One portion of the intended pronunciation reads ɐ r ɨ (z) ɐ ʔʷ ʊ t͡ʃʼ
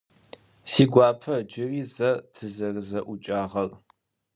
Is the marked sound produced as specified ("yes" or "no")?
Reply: yes